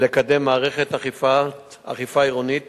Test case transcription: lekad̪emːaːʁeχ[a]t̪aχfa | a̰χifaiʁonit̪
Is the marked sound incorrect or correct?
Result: incorrect